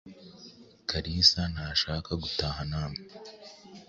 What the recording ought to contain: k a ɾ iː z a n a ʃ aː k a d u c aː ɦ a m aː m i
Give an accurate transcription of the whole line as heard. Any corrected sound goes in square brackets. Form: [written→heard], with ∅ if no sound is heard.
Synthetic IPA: k a ɾ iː [z→s] a n a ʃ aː k a [d→ɡ] u [c→t] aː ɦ a [m→n] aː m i